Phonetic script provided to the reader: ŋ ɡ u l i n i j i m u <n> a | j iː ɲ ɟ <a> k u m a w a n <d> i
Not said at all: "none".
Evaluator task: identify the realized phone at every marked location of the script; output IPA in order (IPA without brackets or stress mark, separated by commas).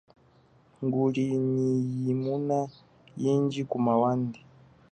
n, i, d